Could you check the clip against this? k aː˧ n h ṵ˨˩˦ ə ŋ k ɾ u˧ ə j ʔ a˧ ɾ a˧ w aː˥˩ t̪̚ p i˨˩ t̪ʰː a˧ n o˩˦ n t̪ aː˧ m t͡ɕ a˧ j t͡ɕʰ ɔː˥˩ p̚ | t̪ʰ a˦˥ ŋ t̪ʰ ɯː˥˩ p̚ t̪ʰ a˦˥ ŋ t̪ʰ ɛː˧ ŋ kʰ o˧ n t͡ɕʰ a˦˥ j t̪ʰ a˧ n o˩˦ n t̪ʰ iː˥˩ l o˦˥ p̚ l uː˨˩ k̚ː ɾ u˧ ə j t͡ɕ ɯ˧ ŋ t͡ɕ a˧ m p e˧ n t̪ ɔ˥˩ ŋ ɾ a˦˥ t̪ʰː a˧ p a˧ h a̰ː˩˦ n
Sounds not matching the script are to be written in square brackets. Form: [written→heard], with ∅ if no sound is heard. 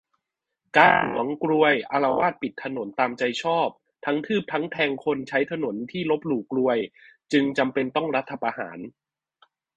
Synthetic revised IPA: k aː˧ n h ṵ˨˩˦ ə ŋ k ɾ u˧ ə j ʔ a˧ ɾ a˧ w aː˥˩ t̪̚ p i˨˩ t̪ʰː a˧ n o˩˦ n t̪ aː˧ m t͡ɕ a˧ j t͡ɕʰ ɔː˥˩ p̚ | t̪ʰ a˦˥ ŋ t̪ʰ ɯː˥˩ p̚ t̪ʰ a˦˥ ŋ t̪ʰ ɛː˧ ŋ kʰ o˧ n t͡ɕʰ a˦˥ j t̪ʰ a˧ n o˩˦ n t̪ʰ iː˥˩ l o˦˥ p̚ l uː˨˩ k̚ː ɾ u˧ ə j t͡ɕ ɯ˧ ŋ t͡ɕ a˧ m p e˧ n t̪ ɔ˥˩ ŋ ɾ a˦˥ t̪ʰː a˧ p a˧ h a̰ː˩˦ n